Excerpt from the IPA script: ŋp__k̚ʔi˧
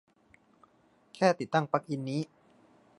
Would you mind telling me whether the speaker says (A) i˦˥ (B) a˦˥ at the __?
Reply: B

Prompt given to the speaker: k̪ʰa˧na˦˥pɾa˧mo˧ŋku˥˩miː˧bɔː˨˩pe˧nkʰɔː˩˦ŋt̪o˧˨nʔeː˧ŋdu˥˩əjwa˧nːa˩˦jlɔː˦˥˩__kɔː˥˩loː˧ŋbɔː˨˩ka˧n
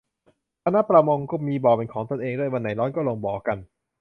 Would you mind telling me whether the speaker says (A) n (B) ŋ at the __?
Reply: A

